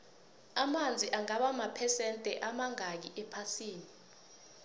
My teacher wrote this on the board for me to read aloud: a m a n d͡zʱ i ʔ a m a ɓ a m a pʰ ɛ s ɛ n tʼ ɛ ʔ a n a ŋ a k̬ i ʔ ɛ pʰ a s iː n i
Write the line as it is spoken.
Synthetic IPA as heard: a m a n d͡zʱ i ʔ a ŋ a ɓ a m a pʰ ɛ s ɛ n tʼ ɛ ʔ a m a ŋ a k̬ i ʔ ɛ pʰ a s iː n i